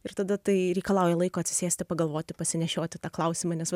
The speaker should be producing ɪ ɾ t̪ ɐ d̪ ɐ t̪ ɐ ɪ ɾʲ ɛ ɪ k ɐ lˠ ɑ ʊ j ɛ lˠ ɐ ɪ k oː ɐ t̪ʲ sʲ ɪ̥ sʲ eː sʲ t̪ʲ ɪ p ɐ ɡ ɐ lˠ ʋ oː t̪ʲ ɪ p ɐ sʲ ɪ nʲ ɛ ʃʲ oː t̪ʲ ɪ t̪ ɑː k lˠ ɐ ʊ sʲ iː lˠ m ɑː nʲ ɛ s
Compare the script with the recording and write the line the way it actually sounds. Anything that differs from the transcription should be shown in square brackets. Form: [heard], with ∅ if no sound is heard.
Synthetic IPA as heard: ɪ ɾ t̪ ɐ d̪ ɐ t̪ ɐ ɪ ɾʲ ɛ ɪ k ɐ lˠ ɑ ʊ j ɛ lˠ ɐ ɪ k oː ɐ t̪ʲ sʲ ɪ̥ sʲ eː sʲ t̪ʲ ɪ p ɐ ɡ ɐ lˠ ʋ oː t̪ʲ ɪ p ɐ sʲ ɪ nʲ ɛ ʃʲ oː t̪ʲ ɪ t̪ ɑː k lˠ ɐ ʊ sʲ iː [∅] m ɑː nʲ ɛ s